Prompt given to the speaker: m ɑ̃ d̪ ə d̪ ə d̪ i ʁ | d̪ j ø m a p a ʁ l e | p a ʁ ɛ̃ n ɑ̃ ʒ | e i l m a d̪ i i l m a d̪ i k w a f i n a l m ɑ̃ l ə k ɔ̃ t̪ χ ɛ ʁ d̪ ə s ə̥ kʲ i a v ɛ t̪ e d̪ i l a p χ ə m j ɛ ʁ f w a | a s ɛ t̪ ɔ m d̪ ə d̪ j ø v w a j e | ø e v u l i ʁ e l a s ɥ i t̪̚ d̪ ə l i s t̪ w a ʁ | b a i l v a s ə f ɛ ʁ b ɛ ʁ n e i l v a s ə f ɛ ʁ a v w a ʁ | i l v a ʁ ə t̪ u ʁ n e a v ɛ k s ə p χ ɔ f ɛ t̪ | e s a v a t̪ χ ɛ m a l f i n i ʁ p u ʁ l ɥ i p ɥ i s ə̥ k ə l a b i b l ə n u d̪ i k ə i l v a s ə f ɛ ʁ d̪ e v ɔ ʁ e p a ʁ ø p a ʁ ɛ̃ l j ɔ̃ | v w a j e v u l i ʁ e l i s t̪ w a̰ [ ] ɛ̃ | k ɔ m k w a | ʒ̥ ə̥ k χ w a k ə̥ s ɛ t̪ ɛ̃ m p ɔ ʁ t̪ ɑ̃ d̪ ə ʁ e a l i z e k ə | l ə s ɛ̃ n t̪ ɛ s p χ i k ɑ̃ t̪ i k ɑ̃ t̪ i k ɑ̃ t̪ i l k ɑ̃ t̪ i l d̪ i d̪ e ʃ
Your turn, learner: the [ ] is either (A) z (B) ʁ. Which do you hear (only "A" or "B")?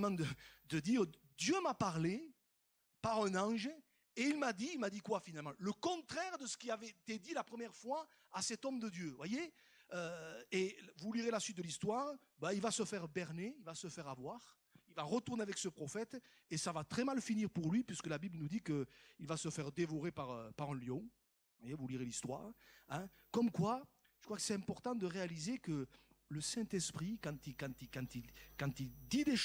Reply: B